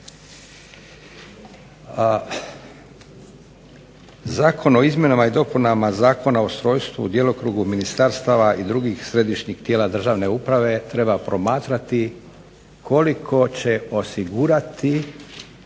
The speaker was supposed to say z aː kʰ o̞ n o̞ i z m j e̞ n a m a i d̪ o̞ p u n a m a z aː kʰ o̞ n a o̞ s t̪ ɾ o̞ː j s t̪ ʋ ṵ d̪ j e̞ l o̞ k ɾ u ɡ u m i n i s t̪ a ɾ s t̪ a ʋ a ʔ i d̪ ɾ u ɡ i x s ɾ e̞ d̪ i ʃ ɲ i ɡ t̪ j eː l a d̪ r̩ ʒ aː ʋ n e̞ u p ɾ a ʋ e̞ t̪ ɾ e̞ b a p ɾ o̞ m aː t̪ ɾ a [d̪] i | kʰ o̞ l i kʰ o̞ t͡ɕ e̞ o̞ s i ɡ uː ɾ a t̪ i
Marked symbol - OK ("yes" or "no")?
no